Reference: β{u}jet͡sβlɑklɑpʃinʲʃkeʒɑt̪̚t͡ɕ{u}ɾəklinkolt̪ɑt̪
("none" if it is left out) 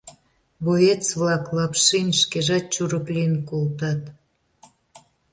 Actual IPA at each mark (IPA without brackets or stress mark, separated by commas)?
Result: o, u